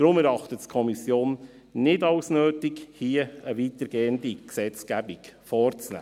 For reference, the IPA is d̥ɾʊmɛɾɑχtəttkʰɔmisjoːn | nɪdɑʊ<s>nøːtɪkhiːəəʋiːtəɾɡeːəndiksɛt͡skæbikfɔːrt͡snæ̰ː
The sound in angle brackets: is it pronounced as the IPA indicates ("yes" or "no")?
yes